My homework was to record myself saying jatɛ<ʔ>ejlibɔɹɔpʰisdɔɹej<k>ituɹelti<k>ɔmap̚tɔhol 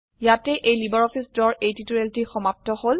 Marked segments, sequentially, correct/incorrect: correct, incorrect, incorrect

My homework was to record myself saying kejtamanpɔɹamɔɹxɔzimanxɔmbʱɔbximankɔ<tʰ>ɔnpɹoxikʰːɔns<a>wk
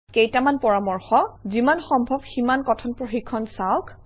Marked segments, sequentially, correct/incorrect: correct, correct

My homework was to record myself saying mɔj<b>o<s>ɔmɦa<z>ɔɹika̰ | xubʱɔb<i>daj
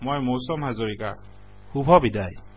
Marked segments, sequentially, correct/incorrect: incorrect, correct, correct, correct

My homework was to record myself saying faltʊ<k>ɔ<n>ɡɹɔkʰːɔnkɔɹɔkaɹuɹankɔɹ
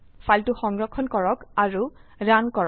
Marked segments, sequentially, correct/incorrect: incorrect, incorrect

